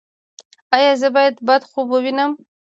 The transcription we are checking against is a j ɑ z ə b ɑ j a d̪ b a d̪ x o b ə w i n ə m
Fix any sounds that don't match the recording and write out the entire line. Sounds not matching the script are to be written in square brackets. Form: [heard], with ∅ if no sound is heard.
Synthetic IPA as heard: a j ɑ z ə b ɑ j a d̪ b a d̪ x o b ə w i n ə m